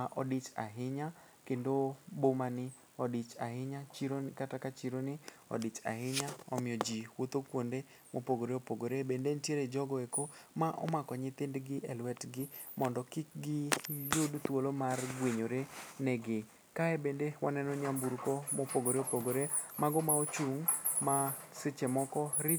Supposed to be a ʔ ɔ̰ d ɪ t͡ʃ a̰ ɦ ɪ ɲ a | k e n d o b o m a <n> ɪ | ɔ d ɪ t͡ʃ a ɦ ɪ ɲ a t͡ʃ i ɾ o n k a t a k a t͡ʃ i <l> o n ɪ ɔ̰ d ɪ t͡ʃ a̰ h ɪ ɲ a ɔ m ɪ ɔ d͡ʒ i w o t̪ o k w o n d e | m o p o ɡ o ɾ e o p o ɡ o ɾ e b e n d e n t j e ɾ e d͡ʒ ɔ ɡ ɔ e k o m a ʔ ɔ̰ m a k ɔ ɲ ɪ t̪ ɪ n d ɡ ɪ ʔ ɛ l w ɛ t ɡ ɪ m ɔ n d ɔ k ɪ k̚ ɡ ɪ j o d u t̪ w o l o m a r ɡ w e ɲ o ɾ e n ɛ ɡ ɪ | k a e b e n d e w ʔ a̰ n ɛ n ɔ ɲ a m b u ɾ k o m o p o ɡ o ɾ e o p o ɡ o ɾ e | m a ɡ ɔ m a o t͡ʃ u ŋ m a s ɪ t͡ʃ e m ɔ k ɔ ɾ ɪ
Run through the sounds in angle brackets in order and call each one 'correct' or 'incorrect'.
correct, incorrect: ɾ

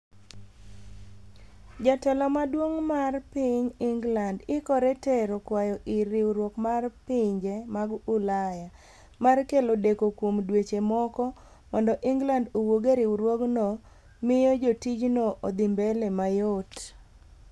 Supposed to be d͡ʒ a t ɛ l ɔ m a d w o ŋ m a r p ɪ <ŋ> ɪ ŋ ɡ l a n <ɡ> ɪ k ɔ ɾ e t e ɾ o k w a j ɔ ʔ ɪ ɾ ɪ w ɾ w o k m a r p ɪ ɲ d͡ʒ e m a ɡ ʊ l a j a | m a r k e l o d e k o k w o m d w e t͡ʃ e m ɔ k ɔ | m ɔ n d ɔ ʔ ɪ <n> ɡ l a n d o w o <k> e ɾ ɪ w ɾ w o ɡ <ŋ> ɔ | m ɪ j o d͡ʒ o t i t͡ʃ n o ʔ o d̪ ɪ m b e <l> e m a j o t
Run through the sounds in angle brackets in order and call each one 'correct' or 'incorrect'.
incorrect: ɲ, incorrect: d, incorrect: ŋ, incorrect: ɡ, incorrect: n, correct

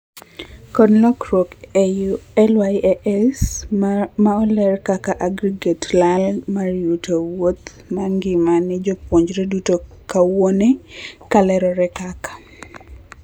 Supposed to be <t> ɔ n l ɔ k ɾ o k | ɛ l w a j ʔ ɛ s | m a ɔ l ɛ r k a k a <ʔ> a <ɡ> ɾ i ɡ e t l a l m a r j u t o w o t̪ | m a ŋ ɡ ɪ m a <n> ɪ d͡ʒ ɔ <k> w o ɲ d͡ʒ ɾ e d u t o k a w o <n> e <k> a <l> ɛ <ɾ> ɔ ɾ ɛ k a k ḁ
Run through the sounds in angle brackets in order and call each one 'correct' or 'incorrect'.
incorrect: k, correct, correct, correct, incorrect: p, correct, correct, correct, correct

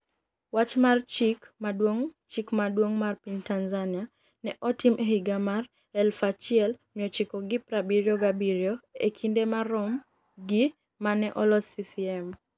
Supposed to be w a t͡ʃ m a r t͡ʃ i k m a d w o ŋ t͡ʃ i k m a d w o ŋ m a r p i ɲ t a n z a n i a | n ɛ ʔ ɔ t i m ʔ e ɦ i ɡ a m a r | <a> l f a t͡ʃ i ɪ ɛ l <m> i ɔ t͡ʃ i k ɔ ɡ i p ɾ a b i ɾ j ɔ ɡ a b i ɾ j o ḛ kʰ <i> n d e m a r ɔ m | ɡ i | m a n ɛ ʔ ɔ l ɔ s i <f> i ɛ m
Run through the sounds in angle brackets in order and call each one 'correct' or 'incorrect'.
incorrect: ɛ, correct, correct, incorrect: s

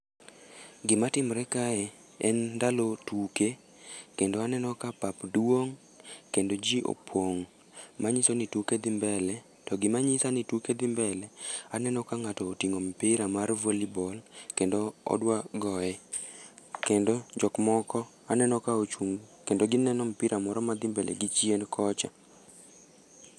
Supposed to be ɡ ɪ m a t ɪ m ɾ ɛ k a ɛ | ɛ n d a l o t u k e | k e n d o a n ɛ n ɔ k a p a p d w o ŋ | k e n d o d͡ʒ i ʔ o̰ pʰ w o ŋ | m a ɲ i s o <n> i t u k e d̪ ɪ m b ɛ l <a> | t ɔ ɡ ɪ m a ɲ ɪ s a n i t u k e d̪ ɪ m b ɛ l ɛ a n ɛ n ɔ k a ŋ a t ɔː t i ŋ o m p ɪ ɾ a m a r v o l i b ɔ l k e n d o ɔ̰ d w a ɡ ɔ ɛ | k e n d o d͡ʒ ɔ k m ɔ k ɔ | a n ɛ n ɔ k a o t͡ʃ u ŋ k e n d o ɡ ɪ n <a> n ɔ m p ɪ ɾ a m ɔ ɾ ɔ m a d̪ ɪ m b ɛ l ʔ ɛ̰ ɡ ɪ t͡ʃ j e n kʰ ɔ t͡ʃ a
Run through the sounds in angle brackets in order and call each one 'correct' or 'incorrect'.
correct, incorrect: ɛ, incorrect: ɛ

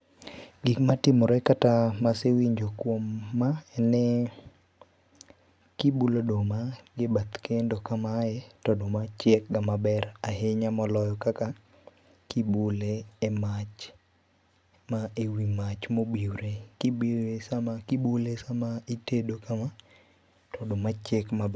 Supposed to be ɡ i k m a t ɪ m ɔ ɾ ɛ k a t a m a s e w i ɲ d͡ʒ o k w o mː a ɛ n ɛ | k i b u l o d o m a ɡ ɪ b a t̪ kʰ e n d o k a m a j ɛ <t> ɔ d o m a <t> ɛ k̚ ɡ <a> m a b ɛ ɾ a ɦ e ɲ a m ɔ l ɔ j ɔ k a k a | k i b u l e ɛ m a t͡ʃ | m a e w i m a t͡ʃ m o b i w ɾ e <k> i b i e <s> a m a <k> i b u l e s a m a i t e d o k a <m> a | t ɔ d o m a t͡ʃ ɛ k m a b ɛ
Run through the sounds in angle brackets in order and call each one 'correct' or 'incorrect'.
correct, incorrect: t͡ʃ, correct, correct, correct, correct, correct

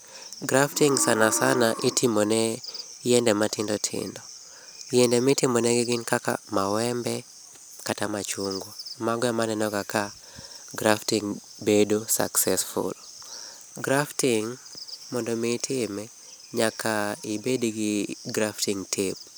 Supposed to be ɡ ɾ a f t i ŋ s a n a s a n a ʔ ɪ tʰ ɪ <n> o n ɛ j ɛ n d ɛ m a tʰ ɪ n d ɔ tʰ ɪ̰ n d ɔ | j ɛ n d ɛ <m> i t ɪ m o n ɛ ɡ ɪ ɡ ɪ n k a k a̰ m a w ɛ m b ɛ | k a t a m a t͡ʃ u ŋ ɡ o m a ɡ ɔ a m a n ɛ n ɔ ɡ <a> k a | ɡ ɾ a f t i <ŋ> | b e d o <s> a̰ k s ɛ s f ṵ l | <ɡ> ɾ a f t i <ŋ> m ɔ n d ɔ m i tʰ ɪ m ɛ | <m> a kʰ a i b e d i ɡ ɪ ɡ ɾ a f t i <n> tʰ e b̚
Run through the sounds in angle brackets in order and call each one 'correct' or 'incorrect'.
incorrect: m, correct, correct, correct, correct, correct, correct, incorrect: ɲ, incorrect: ŋ

